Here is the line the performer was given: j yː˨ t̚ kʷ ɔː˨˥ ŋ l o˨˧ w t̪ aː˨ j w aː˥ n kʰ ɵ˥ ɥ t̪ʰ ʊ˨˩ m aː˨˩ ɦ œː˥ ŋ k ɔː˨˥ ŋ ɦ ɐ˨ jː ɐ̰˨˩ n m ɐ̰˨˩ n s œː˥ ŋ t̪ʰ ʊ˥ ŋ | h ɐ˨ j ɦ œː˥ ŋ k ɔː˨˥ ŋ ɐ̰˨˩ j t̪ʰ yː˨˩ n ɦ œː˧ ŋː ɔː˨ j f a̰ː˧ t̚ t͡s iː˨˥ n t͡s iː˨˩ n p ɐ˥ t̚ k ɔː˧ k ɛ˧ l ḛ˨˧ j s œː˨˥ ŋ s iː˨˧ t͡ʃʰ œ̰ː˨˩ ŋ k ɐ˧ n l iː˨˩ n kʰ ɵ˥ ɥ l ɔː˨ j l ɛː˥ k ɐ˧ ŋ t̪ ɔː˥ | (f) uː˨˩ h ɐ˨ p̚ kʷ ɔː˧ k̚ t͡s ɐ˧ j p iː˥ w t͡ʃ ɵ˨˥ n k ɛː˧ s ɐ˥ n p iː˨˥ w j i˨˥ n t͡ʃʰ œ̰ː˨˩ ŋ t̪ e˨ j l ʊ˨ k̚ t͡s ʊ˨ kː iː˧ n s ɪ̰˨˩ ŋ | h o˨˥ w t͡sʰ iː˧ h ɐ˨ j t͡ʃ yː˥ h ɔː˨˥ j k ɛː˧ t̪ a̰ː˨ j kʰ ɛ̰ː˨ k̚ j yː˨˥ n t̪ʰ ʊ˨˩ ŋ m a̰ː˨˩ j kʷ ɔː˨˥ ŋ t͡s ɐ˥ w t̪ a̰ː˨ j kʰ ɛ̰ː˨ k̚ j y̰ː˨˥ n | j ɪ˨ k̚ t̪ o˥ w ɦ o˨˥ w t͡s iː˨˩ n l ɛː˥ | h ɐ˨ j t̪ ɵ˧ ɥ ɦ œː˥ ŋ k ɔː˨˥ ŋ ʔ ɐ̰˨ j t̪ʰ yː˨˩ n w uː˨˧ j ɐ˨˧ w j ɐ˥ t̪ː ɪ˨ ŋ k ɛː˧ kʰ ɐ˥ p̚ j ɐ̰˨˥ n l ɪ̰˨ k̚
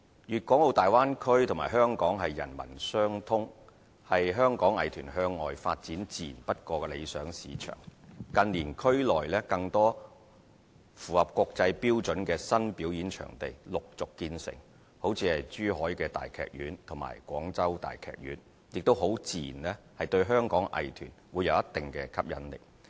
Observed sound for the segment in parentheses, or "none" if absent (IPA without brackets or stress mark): f